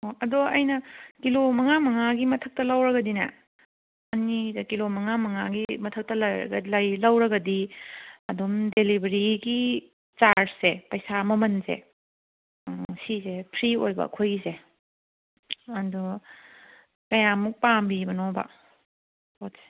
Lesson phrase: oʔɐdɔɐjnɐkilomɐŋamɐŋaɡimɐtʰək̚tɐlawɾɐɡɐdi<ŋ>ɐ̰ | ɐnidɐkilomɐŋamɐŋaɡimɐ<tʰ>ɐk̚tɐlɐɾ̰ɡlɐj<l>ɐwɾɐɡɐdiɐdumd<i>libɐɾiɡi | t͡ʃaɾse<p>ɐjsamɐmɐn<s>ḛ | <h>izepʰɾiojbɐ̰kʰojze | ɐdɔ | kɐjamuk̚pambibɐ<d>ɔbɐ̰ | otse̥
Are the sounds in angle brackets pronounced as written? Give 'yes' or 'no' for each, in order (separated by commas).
no, yes, yes, no, yes, no, no, no